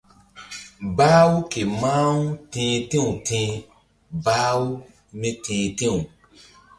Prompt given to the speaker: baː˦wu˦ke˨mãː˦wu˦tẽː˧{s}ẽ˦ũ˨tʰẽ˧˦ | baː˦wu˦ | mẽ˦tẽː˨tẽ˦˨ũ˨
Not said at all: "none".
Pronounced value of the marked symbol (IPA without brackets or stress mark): t